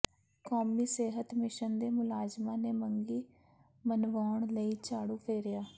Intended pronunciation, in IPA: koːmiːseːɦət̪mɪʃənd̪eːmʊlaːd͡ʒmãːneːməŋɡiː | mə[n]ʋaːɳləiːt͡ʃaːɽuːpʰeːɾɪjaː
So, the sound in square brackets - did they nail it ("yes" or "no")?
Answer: yes